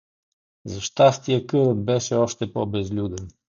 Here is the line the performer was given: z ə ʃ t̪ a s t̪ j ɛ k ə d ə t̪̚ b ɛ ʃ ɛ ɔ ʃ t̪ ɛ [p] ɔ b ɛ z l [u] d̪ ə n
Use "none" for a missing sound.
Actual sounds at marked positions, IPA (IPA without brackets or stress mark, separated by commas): p, u